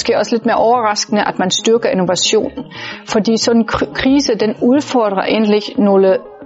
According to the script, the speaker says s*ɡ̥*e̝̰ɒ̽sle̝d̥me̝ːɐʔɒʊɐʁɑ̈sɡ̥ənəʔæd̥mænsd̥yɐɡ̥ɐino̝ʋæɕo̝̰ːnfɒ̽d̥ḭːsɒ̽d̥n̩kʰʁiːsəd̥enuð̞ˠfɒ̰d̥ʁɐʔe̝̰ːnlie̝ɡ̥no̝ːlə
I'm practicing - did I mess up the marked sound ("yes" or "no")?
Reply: no